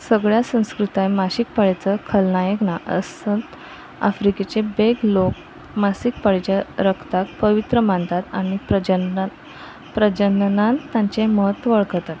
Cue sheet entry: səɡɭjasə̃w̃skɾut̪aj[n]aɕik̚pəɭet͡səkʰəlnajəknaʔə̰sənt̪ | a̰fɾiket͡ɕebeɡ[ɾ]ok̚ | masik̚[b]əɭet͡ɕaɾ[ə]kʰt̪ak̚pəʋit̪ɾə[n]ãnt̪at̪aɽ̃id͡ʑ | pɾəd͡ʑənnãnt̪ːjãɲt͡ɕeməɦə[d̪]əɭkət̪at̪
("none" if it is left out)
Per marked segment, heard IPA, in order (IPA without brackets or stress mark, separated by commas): m, l, p, ə, m, t̪